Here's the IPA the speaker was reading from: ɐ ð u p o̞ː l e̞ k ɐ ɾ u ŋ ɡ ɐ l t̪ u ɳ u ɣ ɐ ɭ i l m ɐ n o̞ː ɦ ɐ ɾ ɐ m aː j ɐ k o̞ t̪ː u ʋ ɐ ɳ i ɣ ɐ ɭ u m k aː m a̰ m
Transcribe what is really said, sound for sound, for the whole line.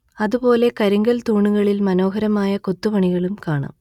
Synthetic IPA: ɐ ð u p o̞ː l e̞ k ɐ ɾ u ŋ ɡ ɐ l t̪ uː ɳ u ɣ ɐ ɭ i l m ɐ n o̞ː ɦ ɐ ɾ ɐ m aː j ɐ k o̞ t̪ː u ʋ ɐ ɳ i ɣ ɐ ɭ u m k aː ɳ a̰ m